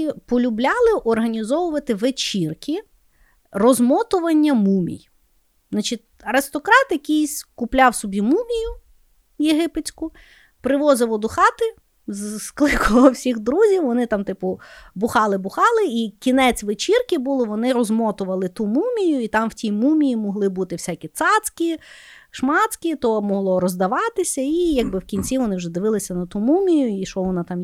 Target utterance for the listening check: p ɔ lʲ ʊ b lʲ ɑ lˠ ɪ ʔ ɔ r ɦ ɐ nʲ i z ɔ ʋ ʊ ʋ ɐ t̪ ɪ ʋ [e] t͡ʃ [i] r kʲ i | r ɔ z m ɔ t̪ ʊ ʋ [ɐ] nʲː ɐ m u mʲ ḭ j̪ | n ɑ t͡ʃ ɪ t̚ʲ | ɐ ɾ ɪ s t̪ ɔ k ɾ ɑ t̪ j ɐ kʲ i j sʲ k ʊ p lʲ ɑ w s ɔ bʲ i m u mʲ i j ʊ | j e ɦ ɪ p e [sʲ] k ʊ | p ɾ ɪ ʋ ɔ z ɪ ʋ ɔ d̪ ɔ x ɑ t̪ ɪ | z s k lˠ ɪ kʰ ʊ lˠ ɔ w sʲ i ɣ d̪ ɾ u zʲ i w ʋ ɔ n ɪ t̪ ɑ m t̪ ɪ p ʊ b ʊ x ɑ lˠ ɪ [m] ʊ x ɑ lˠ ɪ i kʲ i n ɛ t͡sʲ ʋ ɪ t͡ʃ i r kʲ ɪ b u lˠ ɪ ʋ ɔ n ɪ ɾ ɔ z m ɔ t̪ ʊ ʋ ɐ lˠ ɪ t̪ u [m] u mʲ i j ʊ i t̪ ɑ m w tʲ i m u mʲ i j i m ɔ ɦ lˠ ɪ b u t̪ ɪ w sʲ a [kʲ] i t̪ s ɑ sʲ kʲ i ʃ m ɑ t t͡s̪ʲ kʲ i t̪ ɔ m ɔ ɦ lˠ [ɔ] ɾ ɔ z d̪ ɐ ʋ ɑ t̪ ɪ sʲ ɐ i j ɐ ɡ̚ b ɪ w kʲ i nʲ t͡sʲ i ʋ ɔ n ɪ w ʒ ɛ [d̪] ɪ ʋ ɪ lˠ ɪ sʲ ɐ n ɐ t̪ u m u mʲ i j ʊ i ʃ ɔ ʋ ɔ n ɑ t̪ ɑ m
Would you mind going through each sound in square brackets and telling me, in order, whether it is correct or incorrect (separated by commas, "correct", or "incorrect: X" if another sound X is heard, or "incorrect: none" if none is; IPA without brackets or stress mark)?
correct, correct, correct, incorrect: t͡sʲ, incorrect: b, correct, correct, correct, correct